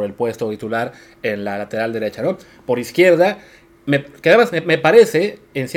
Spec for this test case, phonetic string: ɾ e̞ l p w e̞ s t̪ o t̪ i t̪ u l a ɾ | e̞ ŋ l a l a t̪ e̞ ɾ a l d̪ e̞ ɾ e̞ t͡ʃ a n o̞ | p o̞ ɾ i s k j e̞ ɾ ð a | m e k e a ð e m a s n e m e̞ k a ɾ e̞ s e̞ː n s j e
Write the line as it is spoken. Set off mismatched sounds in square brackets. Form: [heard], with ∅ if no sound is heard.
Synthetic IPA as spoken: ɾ e̞ l p w e̞ s t̪ o t̪ i t̪ u l a ɾ | e̞ [n] l a l a t̪ e̞ ɾ a l d̪ e̞ ɾ e̞ t͡ʃ a n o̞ | p o̞ ɾ i s k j e̞ ɾ ð a | m e k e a ð e m a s [m] e m e̞ [p] a ɾ e̞ s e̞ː n s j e